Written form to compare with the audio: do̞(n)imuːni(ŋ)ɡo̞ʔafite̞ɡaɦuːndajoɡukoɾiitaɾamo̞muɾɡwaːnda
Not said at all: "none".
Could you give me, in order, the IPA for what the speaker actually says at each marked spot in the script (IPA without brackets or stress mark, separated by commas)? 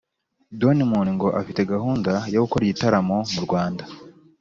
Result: n, ŋ